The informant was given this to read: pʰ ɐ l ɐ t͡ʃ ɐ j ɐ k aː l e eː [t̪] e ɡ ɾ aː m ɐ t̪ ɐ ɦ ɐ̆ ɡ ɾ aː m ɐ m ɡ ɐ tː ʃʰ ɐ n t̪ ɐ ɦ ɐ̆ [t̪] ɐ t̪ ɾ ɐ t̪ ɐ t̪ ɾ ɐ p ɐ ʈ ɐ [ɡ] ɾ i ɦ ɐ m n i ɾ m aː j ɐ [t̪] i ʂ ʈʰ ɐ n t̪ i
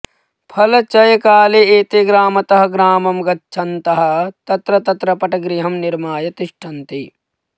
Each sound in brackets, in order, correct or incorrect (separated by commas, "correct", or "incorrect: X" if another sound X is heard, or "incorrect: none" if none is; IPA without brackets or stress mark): correct, correct, correct, correct